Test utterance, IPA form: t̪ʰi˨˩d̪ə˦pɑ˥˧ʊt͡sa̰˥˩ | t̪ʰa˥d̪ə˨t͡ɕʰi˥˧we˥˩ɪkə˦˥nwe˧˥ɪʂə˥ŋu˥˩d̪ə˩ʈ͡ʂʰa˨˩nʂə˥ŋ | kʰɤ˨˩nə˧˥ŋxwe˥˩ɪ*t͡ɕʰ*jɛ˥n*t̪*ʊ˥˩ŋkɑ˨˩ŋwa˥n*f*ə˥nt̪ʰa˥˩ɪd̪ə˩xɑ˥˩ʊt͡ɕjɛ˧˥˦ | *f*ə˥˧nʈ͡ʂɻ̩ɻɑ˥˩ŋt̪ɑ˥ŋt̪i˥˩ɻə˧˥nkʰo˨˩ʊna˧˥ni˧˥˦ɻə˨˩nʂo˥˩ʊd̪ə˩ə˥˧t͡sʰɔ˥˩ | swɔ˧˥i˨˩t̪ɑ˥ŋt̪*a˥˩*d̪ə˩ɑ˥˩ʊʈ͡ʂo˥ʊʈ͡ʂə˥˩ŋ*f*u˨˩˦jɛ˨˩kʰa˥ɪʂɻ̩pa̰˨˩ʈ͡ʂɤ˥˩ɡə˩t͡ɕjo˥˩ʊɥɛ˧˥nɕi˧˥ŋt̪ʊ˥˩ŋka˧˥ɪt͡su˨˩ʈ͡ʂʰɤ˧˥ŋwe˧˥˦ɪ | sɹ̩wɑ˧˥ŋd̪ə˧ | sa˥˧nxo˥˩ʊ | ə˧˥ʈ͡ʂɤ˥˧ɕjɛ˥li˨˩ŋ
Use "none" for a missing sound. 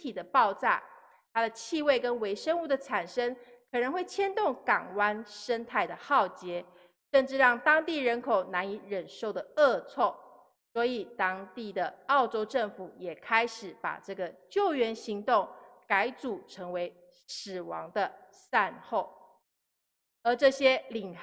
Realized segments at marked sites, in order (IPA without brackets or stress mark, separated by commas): t͡ɕʰ, t̪, ʂ, ʂ, i˥˩, f